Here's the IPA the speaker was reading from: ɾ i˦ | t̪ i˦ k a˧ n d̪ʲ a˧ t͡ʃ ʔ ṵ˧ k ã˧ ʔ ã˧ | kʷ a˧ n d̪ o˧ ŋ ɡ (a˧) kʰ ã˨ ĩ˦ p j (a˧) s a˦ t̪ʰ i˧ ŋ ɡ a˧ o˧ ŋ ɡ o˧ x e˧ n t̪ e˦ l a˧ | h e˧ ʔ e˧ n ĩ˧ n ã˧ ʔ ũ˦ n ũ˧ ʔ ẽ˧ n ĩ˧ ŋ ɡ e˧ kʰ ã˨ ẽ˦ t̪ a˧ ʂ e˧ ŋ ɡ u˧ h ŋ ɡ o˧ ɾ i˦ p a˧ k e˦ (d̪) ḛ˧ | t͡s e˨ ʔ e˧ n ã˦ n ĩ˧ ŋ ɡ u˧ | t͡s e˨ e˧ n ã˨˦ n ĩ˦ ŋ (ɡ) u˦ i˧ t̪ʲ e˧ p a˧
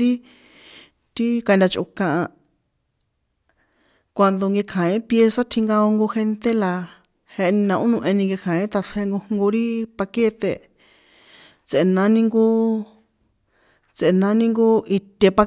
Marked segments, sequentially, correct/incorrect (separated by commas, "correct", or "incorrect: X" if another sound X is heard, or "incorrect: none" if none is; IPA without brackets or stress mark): incorrect: e˧, incorrect: e˧, incorrect: t̪, correct